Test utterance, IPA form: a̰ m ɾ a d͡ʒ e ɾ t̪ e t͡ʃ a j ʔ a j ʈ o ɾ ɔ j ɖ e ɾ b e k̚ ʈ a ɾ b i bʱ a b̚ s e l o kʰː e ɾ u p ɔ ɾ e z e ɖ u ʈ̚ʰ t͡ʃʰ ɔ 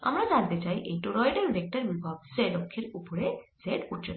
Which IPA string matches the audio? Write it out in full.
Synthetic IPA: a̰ m ɾ a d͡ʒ a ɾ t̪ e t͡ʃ a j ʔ e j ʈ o ɾ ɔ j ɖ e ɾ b e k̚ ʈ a ɾ b i bʱ a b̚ s e l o kʰː e ɾ u p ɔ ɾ e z e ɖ u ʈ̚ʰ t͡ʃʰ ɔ